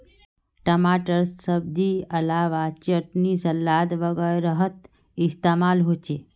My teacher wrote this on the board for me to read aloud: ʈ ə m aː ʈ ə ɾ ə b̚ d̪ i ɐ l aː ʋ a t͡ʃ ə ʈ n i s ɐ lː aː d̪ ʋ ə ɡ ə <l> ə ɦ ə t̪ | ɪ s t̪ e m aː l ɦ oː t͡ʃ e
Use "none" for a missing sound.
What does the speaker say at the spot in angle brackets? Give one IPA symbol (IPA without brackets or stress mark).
ɾ